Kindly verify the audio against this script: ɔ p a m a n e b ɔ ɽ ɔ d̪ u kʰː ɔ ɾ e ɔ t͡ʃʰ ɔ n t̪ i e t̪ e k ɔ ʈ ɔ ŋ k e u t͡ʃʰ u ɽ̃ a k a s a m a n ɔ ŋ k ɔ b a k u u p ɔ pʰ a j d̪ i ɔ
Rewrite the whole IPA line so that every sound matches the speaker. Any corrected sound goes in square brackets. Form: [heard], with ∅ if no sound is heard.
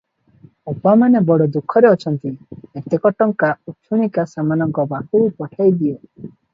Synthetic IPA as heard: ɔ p a m a n e b ɔ ɽ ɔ d̪ u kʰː ɔ ɾ e ɔ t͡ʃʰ ɔ n t̪ i e t̪ e k ɔ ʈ ɔ ŋ k [a] u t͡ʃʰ u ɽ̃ [i] k a s a m a n ɔ ŋ k ɔ b a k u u p ɔ [ʈʰ] a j d̪ i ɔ